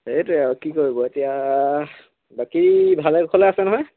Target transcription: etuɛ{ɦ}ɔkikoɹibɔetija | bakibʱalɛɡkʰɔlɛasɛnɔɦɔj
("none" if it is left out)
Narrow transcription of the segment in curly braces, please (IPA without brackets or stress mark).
none